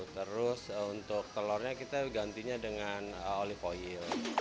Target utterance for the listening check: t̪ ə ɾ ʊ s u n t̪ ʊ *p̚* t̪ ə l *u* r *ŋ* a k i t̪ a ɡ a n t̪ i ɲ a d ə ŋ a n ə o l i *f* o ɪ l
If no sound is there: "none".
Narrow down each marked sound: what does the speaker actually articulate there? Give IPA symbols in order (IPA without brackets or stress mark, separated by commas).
k̚, ɔ, ɲ, f